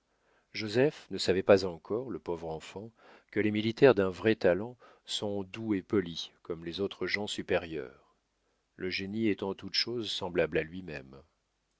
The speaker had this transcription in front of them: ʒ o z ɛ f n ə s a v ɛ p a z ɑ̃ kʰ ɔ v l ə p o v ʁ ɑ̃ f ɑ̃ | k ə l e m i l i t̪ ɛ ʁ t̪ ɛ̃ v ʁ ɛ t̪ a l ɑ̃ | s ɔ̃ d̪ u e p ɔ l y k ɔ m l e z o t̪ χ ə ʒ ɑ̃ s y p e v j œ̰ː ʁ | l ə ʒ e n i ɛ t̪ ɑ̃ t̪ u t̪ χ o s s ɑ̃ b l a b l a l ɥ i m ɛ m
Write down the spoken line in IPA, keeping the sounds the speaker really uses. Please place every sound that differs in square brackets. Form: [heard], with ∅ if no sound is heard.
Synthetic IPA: ʒ o z ɛ f n ə s a v ɛ p a z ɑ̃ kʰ ɔ [ʁ] l ə p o v ʁ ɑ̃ f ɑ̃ | k ə l e m i l i t̪ ɛ ʁ [d̪] ɛ̃ v ʁ ɛ t̪ a l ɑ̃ | s ɔ̃ d̪ u e p ɔ l [i] k ɔ m l e z o t̪ χ ə ʒ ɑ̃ s y p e [ʁ] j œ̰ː ʁ | l ə ʒ e n i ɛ t̪ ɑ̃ t̪ u t̪ [ʃ] o [z] s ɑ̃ b l a b l a l ɥ i m ɛ m